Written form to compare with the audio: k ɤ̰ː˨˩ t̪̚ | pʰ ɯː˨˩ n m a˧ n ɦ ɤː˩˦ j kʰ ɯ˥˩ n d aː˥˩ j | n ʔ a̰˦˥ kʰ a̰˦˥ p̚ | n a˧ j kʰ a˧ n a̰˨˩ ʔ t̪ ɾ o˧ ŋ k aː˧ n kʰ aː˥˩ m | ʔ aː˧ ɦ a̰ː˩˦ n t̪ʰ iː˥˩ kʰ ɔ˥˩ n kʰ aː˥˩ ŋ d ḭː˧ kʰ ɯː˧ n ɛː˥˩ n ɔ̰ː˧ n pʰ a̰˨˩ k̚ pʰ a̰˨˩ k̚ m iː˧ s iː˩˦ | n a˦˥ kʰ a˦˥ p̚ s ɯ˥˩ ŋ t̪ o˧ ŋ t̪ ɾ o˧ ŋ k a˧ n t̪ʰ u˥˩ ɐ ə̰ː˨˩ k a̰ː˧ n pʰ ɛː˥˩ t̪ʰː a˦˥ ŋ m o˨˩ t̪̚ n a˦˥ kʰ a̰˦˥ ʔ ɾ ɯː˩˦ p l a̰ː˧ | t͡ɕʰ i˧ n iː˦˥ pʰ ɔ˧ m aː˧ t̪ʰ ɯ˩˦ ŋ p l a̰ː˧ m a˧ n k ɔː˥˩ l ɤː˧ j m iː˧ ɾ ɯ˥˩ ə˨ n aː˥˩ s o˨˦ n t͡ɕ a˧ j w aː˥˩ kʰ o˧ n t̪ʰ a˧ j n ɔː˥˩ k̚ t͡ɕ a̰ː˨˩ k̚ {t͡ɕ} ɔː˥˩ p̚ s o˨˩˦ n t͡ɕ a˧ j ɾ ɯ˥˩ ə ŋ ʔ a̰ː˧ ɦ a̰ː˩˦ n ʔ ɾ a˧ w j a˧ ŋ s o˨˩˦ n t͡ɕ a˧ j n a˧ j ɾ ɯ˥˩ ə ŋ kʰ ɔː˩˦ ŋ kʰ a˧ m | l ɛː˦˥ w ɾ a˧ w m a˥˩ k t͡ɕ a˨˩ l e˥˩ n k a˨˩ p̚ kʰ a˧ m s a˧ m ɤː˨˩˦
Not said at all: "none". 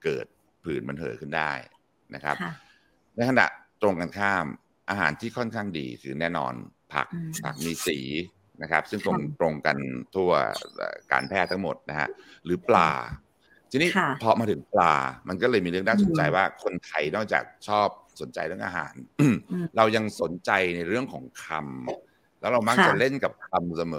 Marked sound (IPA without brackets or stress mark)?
t͡ɕʰ